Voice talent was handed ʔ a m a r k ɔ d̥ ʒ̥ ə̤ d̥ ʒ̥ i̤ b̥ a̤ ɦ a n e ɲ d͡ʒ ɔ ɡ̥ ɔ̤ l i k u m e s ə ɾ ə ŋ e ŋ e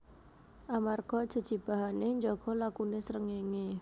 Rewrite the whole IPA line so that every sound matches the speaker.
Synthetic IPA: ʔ a m a r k ɔ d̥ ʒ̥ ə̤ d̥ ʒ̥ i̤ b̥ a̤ ɦ a n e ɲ d͡ʒ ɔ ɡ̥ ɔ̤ l a k u n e s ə ɾ ə ŋ e ŋ e